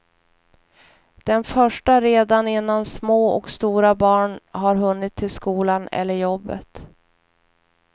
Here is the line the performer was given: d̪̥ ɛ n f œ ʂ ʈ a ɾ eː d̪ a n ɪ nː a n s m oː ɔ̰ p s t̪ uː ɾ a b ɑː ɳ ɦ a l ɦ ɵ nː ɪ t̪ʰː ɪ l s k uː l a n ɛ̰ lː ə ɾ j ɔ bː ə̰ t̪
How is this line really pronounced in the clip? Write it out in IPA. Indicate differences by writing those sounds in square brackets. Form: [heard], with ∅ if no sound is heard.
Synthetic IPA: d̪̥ ɛ n f œ ʂ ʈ a ɾ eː d̪ a n ɪ nː a n s m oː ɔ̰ [k] s t̪ uː ɾ a b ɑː ɳ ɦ a [ɾ] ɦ ɵ nː ɪ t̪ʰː ɪ l s k uː l a n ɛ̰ lː ə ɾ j ɔ bː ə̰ t̪